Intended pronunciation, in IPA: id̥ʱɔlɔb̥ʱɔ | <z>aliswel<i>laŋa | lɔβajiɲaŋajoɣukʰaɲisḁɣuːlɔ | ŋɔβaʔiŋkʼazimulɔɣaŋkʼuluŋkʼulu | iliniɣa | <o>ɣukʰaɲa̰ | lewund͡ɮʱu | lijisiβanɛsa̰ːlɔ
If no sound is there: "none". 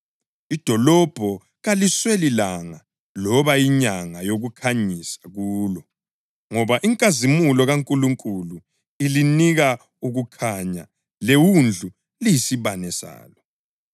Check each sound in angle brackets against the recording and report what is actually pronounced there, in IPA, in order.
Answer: ɣ, i, u

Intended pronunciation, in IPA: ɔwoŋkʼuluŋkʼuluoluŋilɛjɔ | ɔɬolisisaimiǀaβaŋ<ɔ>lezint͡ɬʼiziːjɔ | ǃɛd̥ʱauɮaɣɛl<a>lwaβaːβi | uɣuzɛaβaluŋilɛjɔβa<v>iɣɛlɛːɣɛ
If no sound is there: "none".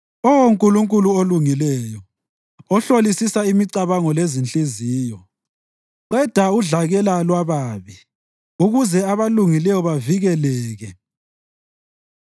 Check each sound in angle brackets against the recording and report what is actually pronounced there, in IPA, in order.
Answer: ɔ, a, v

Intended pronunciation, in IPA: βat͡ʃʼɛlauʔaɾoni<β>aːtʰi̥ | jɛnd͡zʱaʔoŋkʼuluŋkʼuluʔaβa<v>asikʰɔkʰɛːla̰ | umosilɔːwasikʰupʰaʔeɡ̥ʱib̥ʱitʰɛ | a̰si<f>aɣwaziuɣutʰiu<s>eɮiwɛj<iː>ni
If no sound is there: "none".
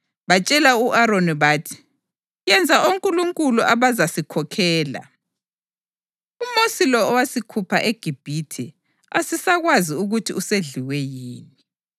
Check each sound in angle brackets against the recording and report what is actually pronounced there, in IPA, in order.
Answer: β, z, s, s, iː

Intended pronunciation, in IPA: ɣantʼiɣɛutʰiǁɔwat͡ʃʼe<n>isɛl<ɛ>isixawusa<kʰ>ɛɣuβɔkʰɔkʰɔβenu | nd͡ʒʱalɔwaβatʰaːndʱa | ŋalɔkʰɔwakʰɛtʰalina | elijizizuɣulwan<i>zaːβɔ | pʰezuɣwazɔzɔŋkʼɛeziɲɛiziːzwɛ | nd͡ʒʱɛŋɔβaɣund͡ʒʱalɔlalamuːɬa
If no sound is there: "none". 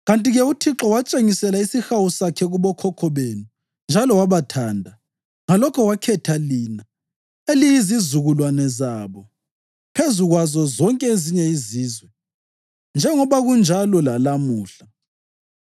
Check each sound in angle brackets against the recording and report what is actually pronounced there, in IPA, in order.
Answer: ŋ, a, kʰ, ɛ

